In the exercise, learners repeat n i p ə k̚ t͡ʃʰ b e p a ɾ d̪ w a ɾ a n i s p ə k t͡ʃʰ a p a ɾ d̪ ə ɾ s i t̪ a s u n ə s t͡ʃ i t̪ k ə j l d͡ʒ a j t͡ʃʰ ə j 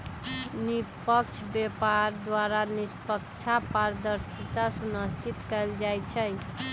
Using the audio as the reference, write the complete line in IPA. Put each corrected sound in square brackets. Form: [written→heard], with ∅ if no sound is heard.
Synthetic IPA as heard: n i p ə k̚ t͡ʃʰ b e p a ɾ d̪ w a ɾ a n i s p ə k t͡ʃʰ a p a ɾ d̪ ə ɾ s i t̪ a s u n ə s t͡ʃ i t̪ k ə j l d͡ʒ a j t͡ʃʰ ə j